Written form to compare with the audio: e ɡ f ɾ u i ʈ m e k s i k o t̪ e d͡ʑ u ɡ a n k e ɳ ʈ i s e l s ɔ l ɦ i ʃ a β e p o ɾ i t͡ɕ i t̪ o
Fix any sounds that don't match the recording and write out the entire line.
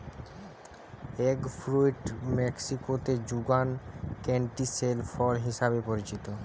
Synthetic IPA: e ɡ f ɾ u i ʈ m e k s i k o t̪ e d͡ʑ u ɡ a n k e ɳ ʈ i s e l f ɔ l ɦ i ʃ a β e p o ɾ i t͡ɕ i t̪ o